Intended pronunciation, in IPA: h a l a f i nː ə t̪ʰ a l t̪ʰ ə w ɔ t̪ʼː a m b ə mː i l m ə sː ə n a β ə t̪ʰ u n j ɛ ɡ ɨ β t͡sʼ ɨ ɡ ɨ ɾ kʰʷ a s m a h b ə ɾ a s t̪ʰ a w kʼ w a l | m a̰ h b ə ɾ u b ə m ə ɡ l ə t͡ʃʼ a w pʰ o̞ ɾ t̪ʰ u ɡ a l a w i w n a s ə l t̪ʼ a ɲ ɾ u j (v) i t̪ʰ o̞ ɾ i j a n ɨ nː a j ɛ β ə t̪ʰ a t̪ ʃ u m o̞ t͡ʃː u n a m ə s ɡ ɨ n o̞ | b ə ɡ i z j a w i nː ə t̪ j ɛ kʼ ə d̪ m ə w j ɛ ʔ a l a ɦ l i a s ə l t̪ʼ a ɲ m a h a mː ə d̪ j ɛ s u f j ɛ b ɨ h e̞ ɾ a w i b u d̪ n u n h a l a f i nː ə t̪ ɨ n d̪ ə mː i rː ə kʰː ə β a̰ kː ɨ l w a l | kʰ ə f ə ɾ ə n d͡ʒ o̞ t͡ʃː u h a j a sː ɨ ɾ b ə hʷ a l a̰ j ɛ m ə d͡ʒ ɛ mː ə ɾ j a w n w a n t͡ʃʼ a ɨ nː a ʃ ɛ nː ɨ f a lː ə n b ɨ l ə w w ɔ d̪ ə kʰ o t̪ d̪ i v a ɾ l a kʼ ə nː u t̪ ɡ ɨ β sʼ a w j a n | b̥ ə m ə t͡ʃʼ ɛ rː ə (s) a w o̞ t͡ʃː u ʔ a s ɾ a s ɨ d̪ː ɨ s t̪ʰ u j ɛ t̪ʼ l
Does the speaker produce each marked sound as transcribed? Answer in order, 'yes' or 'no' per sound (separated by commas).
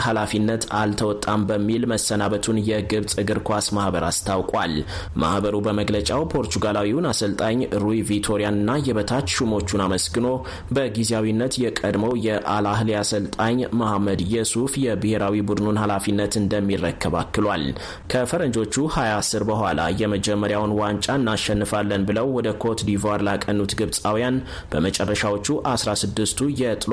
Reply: yes, no